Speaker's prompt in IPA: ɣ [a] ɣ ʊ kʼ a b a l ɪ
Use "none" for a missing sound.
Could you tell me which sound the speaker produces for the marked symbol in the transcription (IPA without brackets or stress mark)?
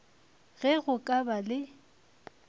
ɛ